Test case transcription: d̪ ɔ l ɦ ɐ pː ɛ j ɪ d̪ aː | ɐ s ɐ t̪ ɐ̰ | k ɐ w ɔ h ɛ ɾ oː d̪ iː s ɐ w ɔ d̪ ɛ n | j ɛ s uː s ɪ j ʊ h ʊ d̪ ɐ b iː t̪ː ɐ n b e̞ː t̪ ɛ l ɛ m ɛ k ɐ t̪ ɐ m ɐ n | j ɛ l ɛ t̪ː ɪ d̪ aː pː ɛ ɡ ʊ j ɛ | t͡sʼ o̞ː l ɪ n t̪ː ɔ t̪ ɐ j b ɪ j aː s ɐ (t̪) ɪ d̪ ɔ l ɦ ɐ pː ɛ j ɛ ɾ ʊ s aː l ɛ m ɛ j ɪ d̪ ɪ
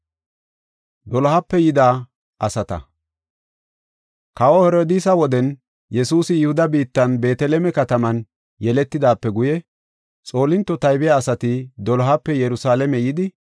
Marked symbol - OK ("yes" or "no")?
yes